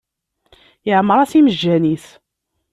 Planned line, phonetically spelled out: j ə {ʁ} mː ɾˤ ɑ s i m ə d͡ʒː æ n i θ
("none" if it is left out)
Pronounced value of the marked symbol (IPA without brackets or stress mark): ʕ